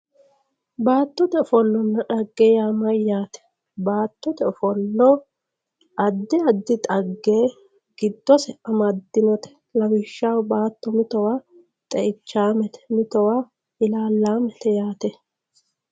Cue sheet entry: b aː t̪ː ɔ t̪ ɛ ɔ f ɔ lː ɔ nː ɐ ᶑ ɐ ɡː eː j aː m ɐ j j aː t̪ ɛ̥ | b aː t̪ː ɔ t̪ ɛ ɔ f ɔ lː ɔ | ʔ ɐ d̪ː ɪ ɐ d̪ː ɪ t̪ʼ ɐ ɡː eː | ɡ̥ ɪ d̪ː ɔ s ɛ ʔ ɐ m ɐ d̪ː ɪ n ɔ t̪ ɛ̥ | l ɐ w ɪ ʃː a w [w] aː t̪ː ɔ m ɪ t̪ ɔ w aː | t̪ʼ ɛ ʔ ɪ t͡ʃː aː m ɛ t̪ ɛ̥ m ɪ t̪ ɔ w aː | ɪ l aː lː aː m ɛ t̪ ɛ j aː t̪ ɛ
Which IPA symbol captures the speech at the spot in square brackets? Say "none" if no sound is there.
b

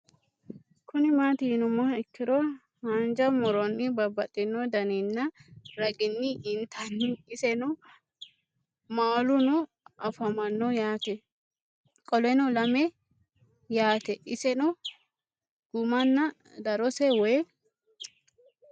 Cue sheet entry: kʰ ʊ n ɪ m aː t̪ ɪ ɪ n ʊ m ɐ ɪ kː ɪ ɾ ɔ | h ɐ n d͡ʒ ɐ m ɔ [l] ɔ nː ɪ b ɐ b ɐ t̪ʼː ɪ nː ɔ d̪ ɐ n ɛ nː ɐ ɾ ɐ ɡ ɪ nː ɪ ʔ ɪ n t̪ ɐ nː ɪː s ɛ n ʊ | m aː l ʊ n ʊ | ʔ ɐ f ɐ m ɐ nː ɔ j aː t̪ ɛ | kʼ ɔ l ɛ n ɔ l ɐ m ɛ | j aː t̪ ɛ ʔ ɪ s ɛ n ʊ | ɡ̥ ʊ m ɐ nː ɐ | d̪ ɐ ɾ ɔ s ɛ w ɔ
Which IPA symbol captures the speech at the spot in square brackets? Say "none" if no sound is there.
ɾ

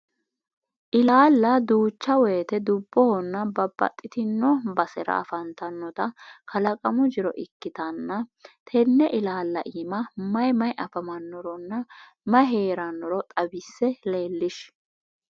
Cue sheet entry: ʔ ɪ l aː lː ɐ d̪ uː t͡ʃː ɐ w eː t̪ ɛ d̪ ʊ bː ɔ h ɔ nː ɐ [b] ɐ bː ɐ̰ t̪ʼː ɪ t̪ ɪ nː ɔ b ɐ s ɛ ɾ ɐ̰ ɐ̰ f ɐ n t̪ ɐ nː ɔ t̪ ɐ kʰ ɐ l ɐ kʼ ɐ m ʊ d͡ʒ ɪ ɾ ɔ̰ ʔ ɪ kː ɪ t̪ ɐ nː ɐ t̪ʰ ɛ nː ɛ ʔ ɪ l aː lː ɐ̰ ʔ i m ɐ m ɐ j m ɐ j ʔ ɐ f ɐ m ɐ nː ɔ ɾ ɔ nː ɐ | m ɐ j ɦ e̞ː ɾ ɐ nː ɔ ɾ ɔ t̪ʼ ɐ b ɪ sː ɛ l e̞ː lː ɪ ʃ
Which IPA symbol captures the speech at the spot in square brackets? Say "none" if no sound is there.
b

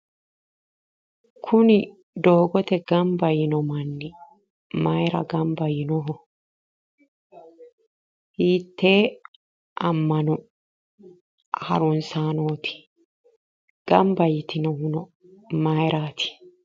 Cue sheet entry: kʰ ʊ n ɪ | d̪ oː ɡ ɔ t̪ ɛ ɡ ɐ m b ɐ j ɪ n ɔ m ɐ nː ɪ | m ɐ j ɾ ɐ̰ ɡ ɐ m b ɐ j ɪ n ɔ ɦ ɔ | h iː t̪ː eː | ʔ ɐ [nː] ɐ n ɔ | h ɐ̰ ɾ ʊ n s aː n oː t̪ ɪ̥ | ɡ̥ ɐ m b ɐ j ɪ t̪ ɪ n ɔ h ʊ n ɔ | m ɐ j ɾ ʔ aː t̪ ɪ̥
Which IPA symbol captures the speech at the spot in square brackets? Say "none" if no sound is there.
mː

